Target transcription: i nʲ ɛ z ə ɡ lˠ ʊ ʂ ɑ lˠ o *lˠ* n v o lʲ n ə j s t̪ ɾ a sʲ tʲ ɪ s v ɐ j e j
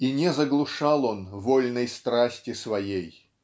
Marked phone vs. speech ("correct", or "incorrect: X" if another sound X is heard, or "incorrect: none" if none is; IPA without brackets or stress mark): incorrect: none